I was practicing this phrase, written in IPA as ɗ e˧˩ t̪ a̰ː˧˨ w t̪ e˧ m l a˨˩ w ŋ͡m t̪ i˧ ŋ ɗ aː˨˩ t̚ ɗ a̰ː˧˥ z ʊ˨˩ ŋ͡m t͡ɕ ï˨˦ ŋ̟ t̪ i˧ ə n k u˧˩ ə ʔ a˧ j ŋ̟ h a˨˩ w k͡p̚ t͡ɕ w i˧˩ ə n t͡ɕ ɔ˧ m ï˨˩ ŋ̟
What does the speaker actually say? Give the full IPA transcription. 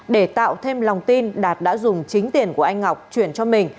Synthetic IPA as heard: ɗ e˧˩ t̪ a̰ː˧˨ w t̪ʰ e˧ m l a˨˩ w ŋ͡m t̪ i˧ n ɗ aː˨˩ t̚ ɗ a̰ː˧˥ z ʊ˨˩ ŋ͡m t͡ɕ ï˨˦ ŋ̟ t̪ i˨˩ ə n k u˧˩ ə ʔ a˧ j ŋ̟ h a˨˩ w k͡p̚ t͡ɕ w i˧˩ ə n t͡ɕ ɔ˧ m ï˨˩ ŋ̟